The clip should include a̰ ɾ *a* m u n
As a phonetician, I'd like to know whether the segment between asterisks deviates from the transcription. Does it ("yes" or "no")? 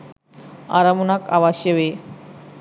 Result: no